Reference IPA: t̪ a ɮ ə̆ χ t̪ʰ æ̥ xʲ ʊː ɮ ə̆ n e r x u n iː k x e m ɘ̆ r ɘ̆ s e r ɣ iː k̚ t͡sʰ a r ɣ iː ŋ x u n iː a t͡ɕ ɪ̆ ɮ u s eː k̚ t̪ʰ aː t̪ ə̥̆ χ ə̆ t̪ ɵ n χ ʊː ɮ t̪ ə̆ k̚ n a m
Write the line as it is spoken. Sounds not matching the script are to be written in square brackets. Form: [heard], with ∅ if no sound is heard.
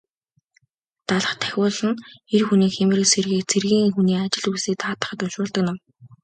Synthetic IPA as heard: t̪ a ɮ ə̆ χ t̪ʰ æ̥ xʲ ʊː ɮ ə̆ n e r x u n iː k x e m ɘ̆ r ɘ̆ s e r ɣ iː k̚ t͡sʰ [e] r ɣ iː ŋ x u n iː a t͡ɕ ɪ̆ ɮ u s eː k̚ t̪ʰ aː t̪ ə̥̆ χ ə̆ t̪ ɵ n [ʃ] ʊː ɮ t̪ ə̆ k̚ n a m